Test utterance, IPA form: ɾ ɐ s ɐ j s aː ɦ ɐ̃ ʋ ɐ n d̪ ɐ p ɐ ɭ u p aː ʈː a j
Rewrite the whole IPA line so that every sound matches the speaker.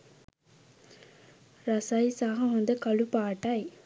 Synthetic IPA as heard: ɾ ɐ s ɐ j s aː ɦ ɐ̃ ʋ ɐ n d̪ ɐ k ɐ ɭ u p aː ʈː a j